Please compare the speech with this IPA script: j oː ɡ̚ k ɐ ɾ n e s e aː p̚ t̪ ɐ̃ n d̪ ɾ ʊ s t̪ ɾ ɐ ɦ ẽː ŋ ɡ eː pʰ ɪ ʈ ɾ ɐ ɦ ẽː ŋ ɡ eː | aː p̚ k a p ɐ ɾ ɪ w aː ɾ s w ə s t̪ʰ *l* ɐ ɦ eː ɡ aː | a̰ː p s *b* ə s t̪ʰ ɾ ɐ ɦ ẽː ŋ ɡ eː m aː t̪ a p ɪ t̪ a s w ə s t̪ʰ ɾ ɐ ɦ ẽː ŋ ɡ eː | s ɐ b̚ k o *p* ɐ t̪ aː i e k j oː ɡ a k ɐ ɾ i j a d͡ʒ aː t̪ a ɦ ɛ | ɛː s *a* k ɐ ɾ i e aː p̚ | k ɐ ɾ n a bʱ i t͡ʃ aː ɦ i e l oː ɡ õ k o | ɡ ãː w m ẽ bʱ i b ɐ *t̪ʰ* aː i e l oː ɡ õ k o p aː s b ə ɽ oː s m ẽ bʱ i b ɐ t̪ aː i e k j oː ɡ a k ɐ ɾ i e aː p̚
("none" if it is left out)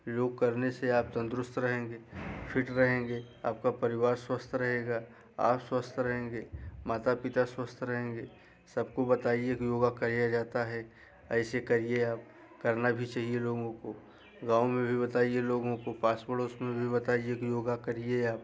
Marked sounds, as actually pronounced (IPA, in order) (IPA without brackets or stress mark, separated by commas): ɾ, w, b, e, t̪